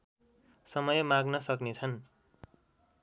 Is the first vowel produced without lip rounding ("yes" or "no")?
yes